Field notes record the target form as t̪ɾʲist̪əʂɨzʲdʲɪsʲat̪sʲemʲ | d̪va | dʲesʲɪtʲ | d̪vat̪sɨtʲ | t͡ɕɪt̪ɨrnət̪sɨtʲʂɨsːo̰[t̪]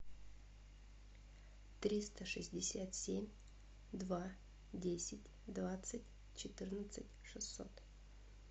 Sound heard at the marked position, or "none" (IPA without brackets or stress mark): t̪